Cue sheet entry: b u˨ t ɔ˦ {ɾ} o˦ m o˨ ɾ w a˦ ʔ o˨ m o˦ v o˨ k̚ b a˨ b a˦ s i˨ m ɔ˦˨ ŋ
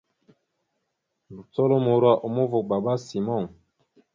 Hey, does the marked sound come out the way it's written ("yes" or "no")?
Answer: no